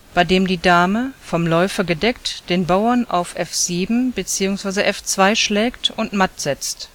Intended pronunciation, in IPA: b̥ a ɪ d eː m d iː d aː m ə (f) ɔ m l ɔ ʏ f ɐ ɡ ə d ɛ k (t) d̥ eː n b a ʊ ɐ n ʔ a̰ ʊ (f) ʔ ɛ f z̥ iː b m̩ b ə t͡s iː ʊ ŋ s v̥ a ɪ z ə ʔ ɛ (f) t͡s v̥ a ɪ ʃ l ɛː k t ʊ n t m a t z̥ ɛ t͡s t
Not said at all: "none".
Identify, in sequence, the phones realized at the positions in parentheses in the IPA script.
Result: f, t, f, f

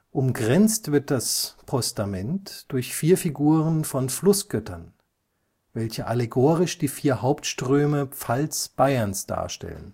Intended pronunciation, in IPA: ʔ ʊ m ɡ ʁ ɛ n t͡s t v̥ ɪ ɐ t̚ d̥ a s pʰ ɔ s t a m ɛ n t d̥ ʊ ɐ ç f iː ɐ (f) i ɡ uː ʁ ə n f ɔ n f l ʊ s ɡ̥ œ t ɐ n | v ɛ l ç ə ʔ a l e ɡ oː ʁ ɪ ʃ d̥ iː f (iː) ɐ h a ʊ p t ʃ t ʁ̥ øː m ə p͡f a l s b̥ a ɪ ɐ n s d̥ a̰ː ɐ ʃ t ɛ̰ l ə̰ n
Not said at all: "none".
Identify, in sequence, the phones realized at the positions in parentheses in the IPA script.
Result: f, iː

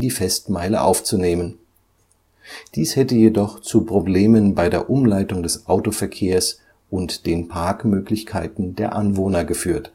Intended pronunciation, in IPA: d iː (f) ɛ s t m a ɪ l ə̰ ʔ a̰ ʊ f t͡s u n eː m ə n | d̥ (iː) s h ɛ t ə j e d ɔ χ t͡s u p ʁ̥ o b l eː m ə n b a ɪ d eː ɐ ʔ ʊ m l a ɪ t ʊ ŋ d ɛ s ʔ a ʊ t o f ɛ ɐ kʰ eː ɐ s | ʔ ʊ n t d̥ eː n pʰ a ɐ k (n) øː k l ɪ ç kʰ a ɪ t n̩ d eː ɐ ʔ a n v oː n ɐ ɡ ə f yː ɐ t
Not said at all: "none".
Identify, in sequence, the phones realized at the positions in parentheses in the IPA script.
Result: f, iː, m

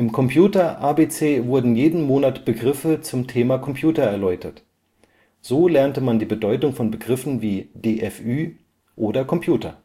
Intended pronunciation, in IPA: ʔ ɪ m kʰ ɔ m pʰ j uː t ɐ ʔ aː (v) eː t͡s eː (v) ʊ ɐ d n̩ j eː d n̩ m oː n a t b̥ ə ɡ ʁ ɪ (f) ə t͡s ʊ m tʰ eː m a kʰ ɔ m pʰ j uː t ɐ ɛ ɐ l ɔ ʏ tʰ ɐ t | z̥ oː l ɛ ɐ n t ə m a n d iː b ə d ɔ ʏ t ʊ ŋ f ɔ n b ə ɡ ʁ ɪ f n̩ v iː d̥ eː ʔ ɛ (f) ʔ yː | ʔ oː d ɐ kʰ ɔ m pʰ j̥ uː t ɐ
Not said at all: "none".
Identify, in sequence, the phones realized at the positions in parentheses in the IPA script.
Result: b, v, f, f

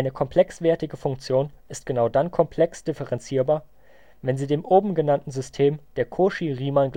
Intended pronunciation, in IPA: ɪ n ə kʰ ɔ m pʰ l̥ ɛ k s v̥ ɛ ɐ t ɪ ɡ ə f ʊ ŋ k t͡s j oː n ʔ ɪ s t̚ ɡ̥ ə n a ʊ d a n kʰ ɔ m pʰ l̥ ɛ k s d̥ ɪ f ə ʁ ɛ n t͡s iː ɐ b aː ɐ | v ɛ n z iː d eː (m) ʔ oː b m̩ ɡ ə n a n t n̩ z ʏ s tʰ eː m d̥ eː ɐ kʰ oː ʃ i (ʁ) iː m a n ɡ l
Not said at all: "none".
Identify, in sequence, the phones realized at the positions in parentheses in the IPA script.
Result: m, ʁ

